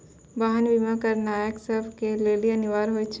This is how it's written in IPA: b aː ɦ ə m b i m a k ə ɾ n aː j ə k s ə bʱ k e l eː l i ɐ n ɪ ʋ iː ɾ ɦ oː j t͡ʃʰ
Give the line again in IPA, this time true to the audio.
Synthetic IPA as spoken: b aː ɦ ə n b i m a k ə ɾ n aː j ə k s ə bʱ k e l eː l i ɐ n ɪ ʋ aː ɾ ɦ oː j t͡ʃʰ